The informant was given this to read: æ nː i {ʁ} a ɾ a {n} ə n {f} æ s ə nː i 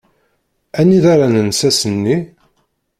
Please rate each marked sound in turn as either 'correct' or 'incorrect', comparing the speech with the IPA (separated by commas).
incorrect, correct, incorrect